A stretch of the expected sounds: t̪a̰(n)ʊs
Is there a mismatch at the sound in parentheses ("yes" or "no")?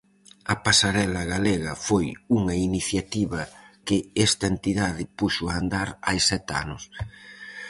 no